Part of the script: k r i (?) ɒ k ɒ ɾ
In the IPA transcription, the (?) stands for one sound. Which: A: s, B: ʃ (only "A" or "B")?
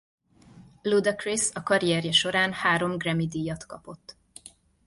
A